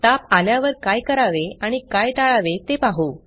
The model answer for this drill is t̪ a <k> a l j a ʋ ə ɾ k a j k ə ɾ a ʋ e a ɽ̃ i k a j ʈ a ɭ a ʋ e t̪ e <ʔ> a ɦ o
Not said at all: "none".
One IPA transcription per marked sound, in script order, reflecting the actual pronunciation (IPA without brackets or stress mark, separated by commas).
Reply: p, p